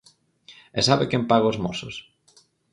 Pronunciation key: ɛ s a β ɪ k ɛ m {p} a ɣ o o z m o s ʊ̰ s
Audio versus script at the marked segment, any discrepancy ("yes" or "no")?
no